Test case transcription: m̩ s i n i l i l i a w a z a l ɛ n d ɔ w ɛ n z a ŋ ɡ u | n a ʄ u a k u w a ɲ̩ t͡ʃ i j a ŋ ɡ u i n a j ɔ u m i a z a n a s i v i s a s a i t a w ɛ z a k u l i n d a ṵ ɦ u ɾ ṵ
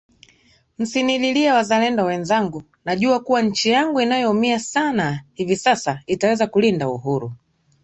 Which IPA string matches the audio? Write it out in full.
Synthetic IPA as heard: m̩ s i n i l i l i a w a z a l ɛ n d ɔ w ɛ n z a ŋ ɡ u | n a ʄ u a k u w a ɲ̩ t͡ʃ i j a ŋ ɡ u i n a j ɔ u m i a s a n a h i v i s a s a i t a w ɛ z a k u l i n d a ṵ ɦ u ɾ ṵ